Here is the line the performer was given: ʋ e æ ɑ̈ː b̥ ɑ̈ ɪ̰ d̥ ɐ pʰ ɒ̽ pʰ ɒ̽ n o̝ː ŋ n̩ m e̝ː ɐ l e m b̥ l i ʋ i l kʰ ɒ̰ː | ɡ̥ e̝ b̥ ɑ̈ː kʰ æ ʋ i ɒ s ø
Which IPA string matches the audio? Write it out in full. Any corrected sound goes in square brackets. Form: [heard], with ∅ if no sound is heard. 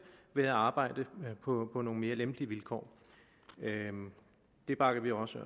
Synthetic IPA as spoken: ʋ e æ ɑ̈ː b̥ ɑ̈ ɪ̰ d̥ [ə] pʰ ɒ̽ pʰ ɒ̽ n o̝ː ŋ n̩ m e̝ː ɐ l e m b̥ l i ʋ i l kʰ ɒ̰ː | [d̥] e̝ b̥ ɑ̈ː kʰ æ ʋ i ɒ s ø